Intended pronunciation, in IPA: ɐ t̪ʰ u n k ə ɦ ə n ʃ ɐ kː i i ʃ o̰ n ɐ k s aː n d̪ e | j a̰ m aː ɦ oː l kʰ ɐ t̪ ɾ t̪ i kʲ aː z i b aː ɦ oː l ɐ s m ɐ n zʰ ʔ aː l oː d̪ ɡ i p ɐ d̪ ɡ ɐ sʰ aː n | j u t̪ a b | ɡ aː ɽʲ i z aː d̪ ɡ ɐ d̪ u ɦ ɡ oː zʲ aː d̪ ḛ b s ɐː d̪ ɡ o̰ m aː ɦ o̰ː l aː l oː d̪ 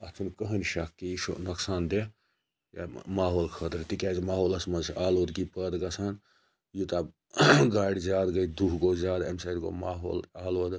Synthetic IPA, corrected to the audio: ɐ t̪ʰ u n k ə ɦ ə n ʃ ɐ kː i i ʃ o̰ n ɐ k s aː n d̪ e | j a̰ m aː ɦ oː l kʰ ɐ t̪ ɾ t̪ i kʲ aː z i m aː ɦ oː l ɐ s m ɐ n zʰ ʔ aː l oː d̪ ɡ i p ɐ d̪ ɡ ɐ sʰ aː n | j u t̪ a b | ɡ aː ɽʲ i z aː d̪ ɡ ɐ d̪ u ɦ ɡ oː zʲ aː d̪ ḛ m s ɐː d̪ ɡ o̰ m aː ɦ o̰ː l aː l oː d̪